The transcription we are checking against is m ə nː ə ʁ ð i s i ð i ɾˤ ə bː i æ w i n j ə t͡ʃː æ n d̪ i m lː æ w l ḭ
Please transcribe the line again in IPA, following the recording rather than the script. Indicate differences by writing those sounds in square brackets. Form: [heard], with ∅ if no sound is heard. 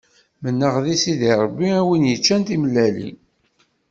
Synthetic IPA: m ə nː ə ʁ ð i s i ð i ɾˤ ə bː i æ w i n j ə t͡ʃː æ n [t̪] i m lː æ [∅] l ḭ